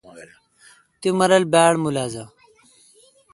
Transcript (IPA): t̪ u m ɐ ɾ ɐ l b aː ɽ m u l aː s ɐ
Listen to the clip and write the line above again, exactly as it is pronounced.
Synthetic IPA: t̪ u m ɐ ɾ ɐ l b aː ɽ m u l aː z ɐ